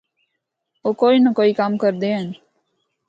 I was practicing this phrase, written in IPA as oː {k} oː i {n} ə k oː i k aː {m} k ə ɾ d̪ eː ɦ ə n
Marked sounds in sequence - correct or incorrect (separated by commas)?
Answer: correct, correct, correct